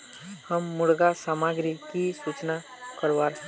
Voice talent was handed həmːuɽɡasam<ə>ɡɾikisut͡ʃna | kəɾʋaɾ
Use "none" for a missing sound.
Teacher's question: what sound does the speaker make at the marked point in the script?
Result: a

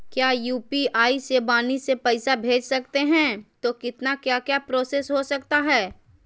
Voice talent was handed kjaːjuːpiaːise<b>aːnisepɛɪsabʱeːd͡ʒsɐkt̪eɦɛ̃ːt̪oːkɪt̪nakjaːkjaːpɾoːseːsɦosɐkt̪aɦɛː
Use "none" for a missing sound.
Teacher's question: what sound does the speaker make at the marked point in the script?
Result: b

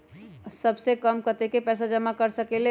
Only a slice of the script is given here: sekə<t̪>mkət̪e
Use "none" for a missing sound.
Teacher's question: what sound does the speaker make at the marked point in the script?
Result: none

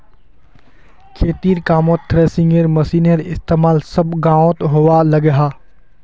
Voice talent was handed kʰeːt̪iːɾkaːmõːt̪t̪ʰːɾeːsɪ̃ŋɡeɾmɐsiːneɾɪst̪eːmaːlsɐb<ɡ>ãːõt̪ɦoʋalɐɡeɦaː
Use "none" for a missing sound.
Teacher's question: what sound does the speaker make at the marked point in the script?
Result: ɡ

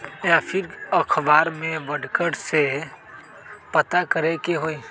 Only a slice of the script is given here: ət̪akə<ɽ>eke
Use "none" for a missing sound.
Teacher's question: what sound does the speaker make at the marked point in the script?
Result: ɾ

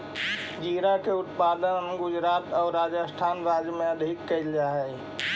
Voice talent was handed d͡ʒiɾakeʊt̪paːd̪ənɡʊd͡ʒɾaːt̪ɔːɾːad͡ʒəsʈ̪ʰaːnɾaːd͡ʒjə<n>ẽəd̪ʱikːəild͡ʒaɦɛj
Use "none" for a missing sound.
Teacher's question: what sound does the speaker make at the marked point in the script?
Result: m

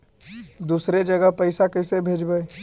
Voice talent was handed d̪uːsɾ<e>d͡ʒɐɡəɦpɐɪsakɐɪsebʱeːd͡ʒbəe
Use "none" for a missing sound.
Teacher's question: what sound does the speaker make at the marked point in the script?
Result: e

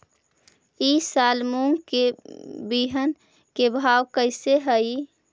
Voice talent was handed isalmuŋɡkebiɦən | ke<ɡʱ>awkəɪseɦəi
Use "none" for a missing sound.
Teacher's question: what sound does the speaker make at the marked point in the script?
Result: bʱ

